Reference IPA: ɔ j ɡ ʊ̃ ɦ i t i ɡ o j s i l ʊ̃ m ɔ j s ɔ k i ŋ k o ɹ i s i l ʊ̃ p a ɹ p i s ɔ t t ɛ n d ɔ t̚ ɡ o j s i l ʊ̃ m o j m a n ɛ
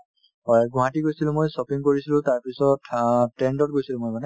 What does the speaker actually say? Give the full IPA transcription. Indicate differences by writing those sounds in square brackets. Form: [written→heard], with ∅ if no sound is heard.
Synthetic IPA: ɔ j ɡ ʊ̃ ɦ [i→a] t i ɡ o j s i l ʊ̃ m [ɔ→o] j s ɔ [k→p] i ŋ k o ɹ i s i l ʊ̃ [p→t] a ɹ p i s ɔ t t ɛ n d ɔ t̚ ɡ o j s i l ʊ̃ m o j m a n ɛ